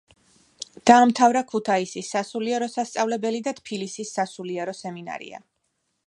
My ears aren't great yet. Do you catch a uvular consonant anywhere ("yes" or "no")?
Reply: no